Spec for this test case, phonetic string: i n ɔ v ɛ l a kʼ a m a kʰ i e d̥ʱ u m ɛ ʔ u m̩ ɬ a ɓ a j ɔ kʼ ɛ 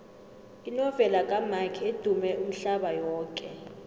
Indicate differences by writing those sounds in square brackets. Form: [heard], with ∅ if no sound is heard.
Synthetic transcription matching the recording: i n ɔ v ɛ l a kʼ a m a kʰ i e d̥ʱ u m ɛ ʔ u m̩ ɬ a ɓ a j [ɔː] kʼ ɛ